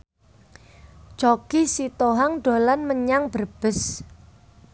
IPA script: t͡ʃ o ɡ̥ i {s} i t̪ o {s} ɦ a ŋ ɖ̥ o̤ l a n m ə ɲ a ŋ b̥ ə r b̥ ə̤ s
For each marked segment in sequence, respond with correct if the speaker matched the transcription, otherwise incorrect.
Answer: correct, incorrect

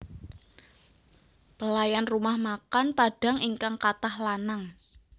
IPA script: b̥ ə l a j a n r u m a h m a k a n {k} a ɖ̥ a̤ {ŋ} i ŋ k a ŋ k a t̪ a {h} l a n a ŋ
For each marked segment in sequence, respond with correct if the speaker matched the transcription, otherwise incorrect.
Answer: incorrect, correct, correct

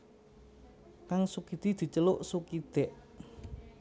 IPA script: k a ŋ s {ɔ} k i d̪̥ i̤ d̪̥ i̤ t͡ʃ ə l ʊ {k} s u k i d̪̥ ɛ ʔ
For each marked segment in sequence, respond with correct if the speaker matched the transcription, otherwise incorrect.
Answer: incorrect, incorrect

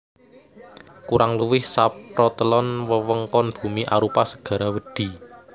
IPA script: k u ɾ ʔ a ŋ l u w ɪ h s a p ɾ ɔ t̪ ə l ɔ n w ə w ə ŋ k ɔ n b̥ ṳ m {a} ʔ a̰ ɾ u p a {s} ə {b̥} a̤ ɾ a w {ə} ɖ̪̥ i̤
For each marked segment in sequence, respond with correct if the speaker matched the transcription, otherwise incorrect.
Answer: incorrect, correct, incorrect, correct

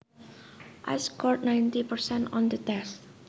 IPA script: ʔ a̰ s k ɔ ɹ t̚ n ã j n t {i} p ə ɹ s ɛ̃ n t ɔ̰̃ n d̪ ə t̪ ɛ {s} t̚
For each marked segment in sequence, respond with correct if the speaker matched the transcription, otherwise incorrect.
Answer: correct, correct

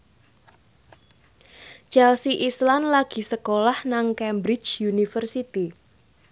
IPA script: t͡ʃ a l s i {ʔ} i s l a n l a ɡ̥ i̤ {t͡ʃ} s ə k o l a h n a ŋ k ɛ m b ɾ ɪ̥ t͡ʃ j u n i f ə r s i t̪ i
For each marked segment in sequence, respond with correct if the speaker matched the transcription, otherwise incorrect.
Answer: correct, incorrect

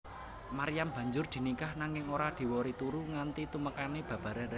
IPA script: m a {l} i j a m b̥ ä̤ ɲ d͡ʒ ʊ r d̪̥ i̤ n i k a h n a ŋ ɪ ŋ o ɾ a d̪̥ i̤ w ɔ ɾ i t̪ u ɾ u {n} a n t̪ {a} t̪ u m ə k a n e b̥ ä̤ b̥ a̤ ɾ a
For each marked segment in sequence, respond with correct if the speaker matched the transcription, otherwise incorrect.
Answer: incorrect, incorrect, incorrect

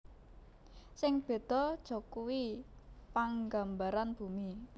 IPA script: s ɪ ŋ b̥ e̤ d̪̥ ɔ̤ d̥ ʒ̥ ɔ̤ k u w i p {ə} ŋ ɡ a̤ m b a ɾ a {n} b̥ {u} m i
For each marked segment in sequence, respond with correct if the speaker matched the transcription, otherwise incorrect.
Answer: incorrect, correct, correct

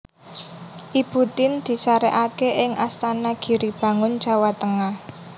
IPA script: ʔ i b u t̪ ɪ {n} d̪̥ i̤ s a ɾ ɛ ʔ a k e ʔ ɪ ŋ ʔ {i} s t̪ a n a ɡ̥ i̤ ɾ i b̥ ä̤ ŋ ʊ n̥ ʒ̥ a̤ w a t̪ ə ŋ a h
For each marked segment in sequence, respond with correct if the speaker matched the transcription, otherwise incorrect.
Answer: correct, incorrect

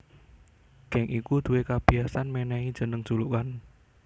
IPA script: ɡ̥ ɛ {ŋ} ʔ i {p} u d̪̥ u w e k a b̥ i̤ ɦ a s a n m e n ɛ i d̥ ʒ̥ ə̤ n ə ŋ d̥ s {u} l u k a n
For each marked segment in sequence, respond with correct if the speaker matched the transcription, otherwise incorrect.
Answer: correct, incorrect, correct

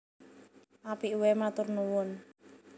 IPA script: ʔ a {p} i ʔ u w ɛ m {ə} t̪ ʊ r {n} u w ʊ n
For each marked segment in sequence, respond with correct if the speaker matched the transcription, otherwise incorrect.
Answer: correct, incorrect, correct

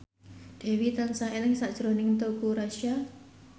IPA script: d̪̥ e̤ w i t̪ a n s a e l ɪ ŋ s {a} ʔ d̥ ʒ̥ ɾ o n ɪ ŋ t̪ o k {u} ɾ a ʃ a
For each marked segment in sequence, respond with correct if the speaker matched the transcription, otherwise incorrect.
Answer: correct, correct

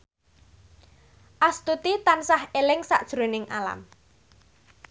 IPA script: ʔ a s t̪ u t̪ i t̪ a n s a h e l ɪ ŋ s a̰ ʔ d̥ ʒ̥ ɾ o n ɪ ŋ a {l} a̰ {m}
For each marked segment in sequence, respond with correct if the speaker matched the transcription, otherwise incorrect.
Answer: correct, correct

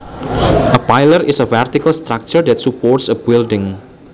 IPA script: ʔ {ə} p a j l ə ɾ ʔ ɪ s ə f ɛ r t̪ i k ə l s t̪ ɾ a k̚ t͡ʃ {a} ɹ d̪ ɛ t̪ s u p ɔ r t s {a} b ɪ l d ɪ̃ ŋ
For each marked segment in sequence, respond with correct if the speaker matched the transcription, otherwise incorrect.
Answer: correct, incorrect, incorrect

